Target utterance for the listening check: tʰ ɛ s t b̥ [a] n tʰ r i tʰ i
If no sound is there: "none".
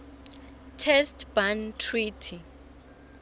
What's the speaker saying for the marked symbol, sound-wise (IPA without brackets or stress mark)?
a